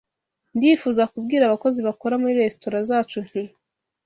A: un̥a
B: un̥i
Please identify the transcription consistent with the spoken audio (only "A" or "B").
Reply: B